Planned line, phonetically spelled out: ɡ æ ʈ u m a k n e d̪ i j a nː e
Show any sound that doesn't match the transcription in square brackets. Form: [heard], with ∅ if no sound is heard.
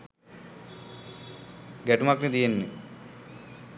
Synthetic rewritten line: ɡ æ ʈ u m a k n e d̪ i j [e] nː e